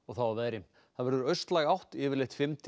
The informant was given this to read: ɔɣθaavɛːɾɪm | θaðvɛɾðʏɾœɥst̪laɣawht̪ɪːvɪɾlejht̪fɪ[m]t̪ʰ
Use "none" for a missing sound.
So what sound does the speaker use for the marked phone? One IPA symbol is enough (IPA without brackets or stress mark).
m